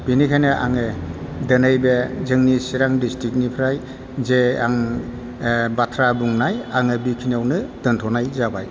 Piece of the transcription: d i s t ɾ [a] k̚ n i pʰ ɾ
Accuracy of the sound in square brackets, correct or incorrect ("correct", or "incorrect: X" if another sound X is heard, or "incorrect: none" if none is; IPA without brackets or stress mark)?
incorrect: i